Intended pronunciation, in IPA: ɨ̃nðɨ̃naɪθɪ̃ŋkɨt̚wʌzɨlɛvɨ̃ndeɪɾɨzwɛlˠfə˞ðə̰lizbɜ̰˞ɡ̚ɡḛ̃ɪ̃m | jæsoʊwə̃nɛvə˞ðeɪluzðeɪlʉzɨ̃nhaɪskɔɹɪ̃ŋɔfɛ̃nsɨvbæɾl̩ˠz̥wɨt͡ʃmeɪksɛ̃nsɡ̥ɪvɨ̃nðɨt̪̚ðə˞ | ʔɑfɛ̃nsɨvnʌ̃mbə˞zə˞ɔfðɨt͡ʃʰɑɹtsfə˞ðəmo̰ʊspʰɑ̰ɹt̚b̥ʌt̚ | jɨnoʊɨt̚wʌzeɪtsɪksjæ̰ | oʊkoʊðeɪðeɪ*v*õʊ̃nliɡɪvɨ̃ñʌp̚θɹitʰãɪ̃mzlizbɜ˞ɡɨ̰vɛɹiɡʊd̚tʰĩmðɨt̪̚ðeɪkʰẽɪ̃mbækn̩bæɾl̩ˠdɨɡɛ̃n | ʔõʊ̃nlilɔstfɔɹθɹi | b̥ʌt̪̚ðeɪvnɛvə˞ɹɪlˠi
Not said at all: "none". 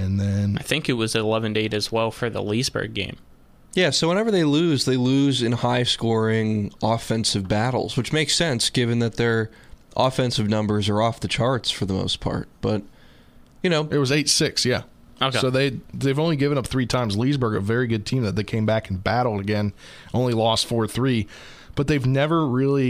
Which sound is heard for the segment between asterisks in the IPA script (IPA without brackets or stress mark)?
v